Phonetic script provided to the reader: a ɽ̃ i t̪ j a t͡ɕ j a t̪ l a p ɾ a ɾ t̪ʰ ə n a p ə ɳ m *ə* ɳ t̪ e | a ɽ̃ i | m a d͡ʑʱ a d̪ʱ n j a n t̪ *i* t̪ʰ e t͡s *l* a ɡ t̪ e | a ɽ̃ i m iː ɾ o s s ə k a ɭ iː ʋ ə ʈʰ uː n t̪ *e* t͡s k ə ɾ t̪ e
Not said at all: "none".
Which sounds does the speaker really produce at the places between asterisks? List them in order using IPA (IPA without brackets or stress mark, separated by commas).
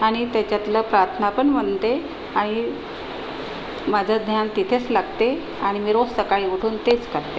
ə, i, l, e